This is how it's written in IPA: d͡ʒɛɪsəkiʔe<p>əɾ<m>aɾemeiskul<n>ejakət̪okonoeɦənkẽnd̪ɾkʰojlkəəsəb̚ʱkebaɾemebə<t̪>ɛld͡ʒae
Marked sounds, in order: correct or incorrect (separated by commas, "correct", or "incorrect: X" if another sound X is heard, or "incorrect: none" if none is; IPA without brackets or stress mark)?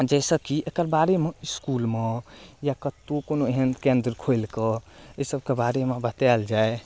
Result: incorrect: k, incorrect: b, incorrect: m, correct